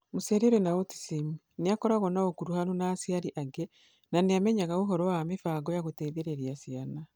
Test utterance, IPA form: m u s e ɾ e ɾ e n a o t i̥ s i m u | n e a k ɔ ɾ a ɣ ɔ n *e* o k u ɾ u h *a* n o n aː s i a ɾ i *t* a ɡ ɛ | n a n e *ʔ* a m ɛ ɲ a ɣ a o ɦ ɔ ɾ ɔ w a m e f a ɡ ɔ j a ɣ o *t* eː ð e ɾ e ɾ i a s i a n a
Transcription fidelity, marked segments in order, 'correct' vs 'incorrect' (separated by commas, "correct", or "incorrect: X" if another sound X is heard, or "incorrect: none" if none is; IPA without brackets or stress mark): incorrect: a, correct, incorrect: ʔ, incorrect: none, correct